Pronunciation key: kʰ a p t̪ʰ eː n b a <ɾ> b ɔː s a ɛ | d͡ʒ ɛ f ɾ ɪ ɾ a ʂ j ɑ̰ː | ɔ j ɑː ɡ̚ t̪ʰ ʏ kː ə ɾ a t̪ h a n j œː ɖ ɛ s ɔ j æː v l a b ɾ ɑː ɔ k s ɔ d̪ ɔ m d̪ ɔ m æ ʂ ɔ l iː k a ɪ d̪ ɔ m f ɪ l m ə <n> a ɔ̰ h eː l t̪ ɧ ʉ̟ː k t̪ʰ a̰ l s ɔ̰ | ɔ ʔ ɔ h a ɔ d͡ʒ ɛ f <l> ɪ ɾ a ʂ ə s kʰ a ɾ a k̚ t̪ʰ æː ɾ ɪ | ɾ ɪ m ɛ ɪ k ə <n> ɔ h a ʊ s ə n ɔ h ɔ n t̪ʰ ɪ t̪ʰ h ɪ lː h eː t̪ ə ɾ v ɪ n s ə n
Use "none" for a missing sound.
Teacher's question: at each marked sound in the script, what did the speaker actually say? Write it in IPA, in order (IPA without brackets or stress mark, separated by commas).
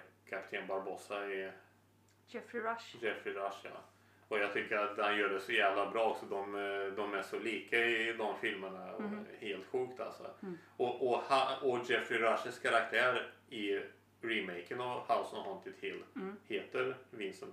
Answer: ɾ, ɳ, ɾ, n